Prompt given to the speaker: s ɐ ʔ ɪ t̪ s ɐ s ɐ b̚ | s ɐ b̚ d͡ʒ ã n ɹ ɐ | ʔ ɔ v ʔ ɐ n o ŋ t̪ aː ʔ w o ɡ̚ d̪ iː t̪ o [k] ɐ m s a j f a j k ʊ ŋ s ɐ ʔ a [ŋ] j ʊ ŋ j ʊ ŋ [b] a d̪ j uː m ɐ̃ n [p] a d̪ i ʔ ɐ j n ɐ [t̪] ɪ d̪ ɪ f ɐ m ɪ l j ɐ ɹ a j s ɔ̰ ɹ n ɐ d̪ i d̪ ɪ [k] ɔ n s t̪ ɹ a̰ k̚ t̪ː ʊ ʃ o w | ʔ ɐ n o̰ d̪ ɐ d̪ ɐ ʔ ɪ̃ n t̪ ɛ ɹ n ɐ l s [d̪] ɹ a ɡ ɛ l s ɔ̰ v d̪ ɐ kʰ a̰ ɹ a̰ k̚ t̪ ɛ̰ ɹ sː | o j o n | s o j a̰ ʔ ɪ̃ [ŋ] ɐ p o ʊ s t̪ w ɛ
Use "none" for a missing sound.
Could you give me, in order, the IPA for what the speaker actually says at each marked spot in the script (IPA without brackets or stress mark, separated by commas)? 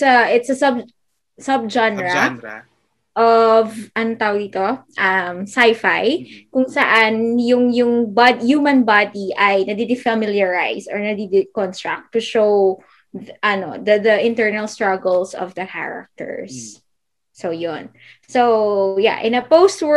ʔ, n, b, b, d̪, k, t̪, n